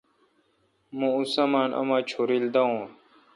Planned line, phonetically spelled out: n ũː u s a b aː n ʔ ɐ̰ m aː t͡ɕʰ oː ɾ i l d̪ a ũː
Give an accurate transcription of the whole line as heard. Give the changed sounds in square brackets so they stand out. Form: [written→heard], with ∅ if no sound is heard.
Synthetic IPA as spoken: [n→m] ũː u s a [b→m] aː n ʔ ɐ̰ m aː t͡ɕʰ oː ɾ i l d̪ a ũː